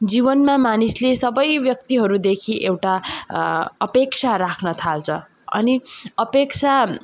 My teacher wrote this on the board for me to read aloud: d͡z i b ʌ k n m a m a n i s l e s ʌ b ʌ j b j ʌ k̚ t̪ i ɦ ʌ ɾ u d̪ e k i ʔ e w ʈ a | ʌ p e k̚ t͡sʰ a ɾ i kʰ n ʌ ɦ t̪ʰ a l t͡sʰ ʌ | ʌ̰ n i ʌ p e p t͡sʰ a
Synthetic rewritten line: d͡z i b ʌ n m a m a n i s l e s ʌ b ʌ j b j ʌ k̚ t̪ i ɦ ʌ ɾ u d̪ e kʰ i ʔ e w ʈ a | ʌ p e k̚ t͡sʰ a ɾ a kʰ n ʌ t̪ʰ a l t͡sʰ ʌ | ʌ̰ n i ʌ p e k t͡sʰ a